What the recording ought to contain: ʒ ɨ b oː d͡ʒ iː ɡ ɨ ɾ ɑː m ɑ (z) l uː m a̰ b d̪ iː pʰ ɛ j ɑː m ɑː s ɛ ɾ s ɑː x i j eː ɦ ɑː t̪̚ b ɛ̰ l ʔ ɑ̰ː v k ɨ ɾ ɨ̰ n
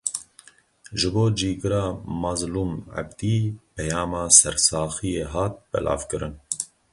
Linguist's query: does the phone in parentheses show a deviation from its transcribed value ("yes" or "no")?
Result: no